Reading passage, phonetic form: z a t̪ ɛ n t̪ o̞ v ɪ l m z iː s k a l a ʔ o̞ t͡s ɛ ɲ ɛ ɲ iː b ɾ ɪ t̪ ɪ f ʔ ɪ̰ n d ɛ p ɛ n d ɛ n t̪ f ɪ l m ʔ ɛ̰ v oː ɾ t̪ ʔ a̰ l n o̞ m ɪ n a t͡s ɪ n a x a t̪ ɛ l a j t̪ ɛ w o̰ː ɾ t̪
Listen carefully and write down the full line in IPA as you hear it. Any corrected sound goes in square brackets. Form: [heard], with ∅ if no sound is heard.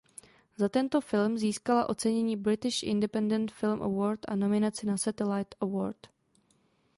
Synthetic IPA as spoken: z a t̪ ɛ n t̪ o̞ [f] ɪ l m z iː s k a l a ʔ o̞ t͡s ɛ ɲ ɛ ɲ iː b ɾ ɪ t̪ ɪ [ʃ] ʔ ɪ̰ n d ɛ p ɛ n d ɛ n t̪ f ɪ l m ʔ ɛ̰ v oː ɾ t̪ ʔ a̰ [∅] n o̞ m ɪ n a t͡s ɪ n a [s] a t̪ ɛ l a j t̪ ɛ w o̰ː ɾ t̪

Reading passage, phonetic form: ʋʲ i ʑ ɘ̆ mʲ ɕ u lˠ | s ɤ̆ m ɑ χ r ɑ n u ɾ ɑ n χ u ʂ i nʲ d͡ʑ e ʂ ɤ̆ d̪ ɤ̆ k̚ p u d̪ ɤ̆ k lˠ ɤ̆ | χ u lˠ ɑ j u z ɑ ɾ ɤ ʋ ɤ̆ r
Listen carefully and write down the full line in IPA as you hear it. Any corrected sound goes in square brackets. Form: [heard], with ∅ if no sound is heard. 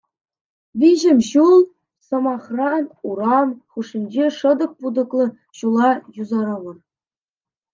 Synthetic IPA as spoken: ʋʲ i ʑ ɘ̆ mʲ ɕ u lˠ | s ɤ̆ m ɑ χ r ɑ n u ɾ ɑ n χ u ʂ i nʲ d͡ʑ e ʂ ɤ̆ d̪ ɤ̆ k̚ p u d̪ ɤ̆ k lˠ ɤ̆ | [ɕ] u lˠ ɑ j u z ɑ ɾ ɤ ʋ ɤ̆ r

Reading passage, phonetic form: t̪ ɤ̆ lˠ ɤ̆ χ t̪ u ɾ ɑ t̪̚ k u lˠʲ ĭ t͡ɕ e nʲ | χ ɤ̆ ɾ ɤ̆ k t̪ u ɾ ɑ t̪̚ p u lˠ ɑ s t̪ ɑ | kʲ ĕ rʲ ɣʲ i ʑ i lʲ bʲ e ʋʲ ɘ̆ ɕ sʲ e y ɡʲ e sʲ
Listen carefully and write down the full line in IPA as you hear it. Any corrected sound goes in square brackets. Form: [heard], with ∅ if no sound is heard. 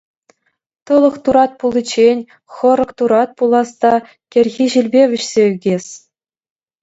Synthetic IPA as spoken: t̪ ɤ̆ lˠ ɤ̆ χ t̪ u ɾ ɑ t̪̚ [p] u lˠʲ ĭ t͡ɕ e nʲ | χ ɤ̆ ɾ ɤ̆ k t̪ u ɾ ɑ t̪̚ p u lˠ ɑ s t̪ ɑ | kʲ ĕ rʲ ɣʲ i ʑ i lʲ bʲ e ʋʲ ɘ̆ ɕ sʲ e y ɡʲ e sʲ

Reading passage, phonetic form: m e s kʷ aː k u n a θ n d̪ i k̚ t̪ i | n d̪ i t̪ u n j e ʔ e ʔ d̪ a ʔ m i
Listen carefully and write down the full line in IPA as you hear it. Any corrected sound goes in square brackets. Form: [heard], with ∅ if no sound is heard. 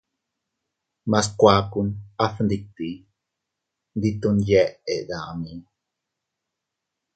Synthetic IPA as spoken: m [a] s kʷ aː k u n a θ n d̪ i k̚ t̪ i | n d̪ i t̪ u n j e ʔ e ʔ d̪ a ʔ m i

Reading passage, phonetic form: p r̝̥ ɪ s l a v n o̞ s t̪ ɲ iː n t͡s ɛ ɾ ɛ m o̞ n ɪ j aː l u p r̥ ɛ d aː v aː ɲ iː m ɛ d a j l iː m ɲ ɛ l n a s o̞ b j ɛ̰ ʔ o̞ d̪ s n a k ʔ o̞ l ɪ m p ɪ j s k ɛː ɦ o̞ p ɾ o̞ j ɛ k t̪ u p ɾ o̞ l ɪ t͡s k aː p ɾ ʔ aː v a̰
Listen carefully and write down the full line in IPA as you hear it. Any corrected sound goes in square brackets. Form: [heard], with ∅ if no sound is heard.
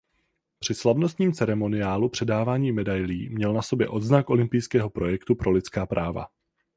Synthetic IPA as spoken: p r̝̥ ɪ s l a v n o̞ s t̪ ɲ iː [m] t͡s ɛ ɾ ɛ m o̞ n ɪ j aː l u p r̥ ɛ d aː v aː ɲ iː m ɛ d a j l iː m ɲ ɛ l n a s o̞ b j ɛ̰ ʔ o̞ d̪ [z] n a k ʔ o̞ l ɪ m p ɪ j s k ɛː ɦ o̞ p ɾ o̞ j ɛ k t̪ u p ɾ o̞ l ɪ t͡s k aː p ɾ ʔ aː v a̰

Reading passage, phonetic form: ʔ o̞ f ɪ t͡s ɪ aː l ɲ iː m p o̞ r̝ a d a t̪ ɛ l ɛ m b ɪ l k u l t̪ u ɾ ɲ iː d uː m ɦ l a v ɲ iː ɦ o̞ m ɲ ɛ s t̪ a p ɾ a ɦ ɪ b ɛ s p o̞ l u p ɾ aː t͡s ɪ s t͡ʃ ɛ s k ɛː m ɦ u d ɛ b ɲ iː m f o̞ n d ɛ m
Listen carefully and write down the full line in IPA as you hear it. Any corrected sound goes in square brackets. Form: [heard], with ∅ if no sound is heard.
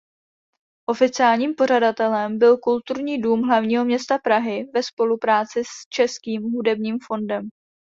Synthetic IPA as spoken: ʔ o̞ f ɪ t͡s ɪ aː l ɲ iː m p o̞ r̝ a d a t̪ ɛ l ɛ m b ɪ l k u l t̪ u ɾ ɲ iː d uː m ɦ l a v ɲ iː ɦ o̞ m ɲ ɛ s t̪ a p ɾ a ɦ ɪ [v] ɛ s p o̞ l u p ɾ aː t͡s ɪ s t͡ʃ ɛ s k [iː] m ɦ u d ɛ b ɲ iː m f o̞ n d ɛ m

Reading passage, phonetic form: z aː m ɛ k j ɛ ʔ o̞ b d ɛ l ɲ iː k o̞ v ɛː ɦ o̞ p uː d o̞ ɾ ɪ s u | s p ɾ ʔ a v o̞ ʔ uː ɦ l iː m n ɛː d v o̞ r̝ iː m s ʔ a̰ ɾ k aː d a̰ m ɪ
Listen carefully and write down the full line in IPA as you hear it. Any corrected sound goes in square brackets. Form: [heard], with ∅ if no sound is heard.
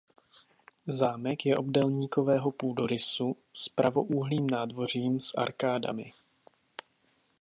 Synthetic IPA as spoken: z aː m ɛ k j ɛ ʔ o̞ b d ɛ l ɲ iː k o̞ v ɛː ɦ o̞ p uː d o̞ ɾ ɪ s u | s p ɾ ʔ a v o̞ ʔ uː ɦ l iː m n [aː] d v o̞ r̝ iː m s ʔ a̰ ɾ k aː d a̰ m ɪ

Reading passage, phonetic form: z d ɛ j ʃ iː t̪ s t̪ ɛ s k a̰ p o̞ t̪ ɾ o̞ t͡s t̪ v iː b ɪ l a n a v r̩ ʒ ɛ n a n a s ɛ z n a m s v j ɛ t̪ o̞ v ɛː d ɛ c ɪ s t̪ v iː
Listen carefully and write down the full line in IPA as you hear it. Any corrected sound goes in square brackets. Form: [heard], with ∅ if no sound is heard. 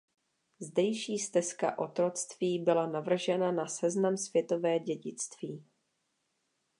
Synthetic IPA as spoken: z d ɛ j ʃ iː [∅] s t̪ ɛ s k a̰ [ʔ] o̞ t̪ ɾ o̞ t͡s t̪ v iː b ɪ l a n a v r̩ ʒ ɛ n a n a s ɛ z n a m s v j ɛ t̪ o̞ v ɛː [ɟ] ɛ [ɟ] ɪ [t͡s] t̪ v iː

